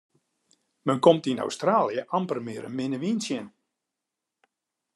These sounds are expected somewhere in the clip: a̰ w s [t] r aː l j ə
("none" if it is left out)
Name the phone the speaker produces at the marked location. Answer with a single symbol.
t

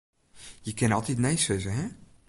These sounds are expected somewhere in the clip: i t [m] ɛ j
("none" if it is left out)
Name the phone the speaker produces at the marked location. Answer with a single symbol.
n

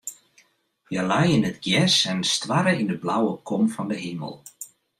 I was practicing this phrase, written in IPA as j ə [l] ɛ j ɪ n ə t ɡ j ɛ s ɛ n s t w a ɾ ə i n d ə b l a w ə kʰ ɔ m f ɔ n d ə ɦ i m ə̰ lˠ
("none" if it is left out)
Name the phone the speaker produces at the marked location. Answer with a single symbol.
l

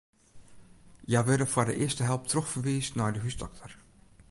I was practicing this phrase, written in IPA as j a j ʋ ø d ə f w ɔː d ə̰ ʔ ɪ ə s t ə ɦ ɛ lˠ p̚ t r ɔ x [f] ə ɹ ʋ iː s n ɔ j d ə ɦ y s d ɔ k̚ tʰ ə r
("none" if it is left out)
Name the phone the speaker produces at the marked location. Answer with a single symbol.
f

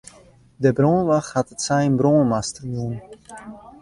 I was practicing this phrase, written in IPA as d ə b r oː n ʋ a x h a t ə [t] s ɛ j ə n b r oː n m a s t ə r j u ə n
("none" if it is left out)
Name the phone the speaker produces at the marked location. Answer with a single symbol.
t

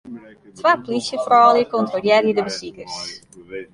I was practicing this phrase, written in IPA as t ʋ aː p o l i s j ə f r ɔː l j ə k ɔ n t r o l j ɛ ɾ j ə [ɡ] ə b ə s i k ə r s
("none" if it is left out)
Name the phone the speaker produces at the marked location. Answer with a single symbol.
d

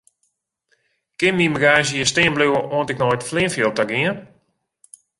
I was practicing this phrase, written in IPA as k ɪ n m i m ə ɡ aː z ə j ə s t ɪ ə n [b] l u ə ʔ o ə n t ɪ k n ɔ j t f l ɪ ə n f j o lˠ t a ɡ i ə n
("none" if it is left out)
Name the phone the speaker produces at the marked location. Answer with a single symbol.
b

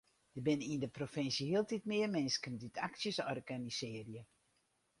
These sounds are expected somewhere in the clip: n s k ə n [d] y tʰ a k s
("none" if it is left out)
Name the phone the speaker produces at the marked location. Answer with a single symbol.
d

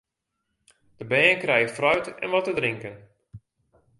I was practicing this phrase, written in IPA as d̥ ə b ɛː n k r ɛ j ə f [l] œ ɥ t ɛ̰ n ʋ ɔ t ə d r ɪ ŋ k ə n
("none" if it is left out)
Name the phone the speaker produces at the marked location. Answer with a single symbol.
r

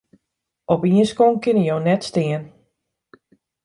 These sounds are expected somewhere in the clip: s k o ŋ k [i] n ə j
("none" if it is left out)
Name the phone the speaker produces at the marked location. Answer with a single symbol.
ɪ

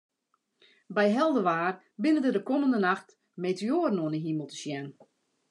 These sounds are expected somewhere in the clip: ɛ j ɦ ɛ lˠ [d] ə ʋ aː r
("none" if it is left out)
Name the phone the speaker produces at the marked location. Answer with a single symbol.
d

